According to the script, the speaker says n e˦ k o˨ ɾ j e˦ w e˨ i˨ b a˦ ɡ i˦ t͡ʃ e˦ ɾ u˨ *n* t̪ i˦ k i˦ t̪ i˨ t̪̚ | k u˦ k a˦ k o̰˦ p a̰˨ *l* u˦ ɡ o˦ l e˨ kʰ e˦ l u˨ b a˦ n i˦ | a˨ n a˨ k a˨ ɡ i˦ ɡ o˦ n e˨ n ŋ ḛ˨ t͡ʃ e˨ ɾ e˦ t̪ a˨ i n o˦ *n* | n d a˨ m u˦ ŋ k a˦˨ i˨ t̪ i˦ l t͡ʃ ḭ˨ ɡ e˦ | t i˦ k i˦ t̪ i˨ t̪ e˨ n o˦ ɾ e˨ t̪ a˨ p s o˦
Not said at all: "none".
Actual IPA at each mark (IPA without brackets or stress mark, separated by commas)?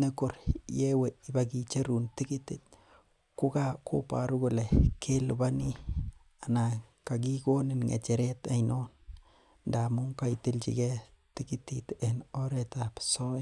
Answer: n, ɾ, n